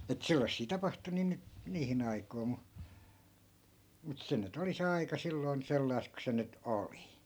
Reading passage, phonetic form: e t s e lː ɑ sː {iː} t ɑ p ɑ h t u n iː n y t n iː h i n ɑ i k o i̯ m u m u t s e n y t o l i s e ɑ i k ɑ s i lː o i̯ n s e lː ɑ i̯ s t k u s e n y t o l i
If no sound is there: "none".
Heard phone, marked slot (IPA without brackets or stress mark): iː